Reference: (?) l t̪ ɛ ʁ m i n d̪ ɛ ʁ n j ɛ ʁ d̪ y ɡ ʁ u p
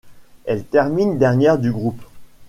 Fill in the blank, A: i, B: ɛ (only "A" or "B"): B